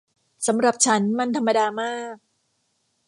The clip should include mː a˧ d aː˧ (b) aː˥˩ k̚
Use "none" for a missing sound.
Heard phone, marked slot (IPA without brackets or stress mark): m